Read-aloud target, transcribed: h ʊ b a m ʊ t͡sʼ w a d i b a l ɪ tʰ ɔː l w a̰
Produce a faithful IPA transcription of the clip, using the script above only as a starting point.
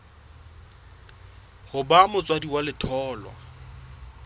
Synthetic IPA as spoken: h ʊ b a m ʊ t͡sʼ w a d i w a l ɪ tʰ ɔː l w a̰